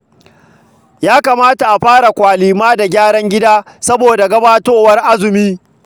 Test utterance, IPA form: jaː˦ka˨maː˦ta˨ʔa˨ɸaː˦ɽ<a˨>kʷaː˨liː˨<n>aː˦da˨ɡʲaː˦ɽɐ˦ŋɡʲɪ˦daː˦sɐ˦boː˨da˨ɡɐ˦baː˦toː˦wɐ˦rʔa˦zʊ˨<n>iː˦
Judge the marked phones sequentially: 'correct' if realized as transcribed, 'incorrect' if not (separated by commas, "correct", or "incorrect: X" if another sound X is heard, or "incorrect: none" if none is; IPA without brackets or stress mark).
correct, incorrect: m, incorrect: m